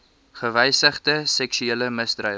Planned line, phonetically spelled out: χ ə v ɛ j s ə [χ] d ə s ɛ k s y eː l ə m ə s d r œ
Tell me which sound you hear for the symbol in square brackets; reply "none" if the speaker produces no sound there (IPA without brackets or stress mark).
χ